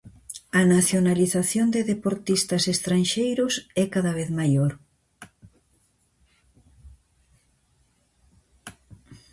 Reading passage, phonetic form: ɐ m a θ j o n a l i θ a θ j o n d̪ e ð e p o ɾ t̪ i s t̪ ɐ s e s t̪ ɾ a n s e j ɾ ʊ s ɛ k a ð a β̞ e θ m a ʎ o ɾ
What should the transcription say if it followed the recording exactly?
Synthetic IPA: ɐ n a θ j o n a l i θ a θ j o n d̪ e ð e p o ɾ t̪ i s t̪ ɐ s e s t̪ ɾ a n ʃ e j ɾ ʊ s ɛ k a ð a β̞ e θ m a j o ɾ

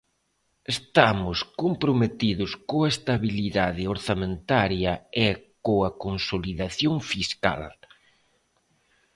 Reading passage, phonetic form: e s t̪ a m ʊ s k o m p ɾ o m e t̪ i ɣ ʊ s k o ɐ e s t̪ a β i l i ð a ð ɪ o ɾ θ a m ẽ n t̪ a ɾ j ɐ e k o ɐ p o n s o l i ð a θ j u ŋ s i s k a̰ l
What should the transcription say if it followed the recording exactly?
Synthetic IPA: e s t̪ a m ʊ s k o m p ɾ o m e t̪ i ð ʊ s k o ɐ e s t̪ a β i l i ð a ð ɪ o ɾ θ a m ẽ n t̪ a ɾ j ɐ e k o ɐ k o n s o l i ð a θ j o ŋ f i s k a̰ l

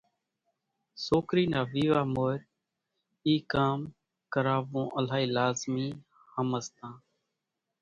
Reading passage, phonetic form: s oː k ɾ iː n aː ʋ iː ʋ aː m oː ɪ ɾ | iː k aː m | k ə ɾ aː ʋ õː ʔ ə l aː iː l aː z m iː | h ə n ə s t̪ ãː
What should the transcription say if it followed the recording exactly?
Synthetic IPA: s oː k ɾ iː n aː ʋ iː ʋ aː m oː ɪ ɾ | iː k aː m | k ə ɾ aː ʋ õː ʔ ə l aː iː l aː z m iː | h ə m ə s t̪ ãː

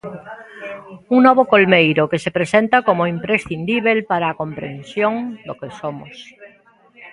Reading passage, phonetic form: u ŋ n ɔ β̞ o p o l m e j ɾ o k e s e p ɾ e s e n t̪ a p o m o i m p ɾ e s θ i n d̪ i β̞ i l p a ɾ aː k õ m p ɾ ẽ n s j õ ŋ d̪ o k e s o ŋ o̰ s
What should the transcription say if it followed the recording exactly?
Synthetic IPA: u ŋ n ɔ β̞ o k o l m e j ɾ o k e s e p ɾ e s e n t̪ a k o m o i m p ɾ e s θ i n d̪ i β̞ e l p a ɾ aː k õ m p ɾ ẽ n s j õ ŋ d̪ o k e s o m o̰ s

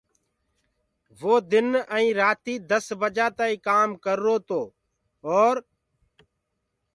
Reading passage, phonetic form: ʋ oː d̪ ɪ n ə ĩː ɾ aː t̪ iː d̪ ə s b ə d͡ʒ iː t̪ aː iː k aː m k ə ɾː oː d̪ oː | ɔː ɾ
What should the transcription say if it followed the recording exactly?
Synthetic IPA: ʋ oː d̪ ɪ n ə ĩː ɾ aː t̪ iː d̪ ə s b ə d͡ʒ aː t̪ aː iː k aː m k ə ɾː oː t̪ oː | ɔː ɾ

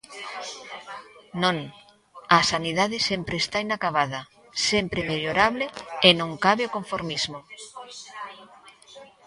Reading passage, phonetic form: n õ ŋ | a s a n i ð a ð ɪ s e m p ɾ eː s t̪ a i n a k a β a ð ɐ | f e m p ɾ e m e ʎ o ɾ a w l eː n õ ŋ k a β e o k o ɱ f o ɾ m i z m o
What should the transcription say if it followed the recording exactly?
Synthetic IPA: n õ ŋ | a s a n i ð a ð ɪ s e m p ɾ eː s t̪ a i n a k a β a ð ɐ | s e m p ɾ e m e ʎ o ɾ a β l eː n õ ŋ k a β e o k o ɱ f o ɾ m i z m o

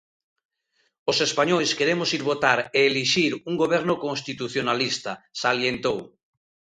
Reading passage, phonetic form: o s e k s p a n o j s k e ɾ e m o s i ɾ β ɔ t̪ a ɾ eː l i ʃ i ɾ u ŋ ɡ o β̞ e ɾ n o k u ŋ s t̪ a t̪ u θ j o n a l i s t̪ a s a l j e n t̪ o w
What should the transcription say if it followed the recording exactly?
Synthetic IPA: o s e s p a ɲ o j s k e ɾ e m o s i ɾ β o t̪ a ɾ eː l i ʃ i ɾ u ŋ ɡ o β̞ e ɾ n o k o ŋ s t̪ i t̪ u θ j o n a l i s t̪ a s a l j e n t̪ o w

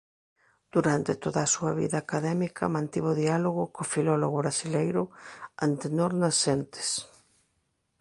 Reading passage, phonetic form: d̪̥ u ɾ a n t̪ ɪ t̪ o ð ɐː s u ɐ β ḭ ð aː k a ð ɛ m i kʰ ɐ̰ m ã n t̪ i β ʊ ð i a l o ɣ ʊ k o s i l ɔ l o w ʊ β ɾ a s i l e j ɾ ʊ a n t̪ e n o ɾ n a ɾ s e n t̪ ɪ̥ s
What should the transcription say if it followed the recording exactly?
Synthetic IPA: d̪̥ u ɾ a n t̪ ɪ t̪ o ð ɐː s u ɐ β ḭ ð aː k a ð ɛ m i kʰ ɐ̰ m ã n t̪ i β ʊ ð i a l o ɣ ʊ k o f i l ɔ l o ɣ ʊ β ɾ a s i l e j ɾ ʊ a n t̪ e n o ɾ n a s e n t̪ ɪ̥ s

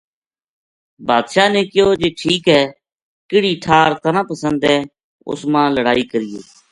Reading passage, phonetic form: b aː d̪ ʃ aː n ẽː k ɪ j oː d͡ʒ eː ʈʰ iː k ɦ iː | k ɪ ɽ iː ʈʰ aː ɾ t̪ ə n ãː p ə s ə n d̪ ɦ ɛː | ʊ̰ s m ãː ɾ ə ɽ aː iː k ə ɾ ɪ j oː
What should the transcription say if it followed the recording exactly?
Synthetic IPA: b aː d̪ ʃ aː n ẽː k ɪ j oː d͡ʒ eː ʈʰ iː k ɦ ɛː | k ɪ ɽ iː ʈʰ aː ɾ t̪ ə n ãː p ə s ə n d̪ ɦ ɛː | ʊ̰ s m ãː l ə ɽ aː iː k ə ɾ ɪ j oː

